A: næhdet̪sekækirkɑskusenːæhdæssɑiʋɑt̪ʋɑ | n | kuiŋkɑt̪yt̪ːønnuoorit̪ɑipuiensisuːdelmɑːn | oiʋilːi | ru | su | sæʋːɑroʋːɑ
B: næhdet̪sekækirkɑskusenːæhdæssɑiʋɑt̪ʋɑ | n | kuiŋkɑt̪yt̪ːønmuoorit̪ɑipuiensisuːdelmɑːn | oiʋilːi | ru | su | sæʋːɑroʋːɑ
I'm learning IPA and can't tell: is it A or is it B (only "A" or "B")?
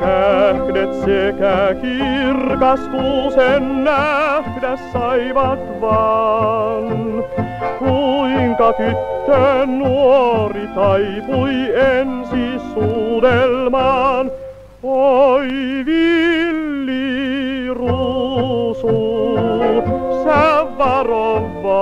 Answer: A